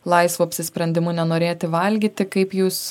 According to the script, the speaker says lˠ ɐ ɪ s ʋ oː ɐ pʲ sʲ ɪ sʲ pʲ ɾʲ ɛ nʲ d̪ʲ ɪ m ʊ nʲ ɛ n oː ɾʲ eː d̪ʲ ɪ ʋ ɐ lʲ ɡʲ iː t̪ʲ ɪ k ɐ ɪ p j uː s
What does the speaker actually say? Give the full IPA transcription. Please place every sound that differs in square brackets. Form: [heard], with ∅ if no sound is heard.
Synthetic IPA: lˠ ɐ ɪ s ʋ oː ɐ pʲ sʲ ɪ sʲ pʲ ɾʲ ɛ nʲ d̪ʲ ɪ m ʊ nʲ ɛ n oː ɾʲ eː [t̪ʲ] ɪ ʋ ɐ lʲ ɡʲ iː t̪ʲ ɪ k ɐ ɪ p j uː s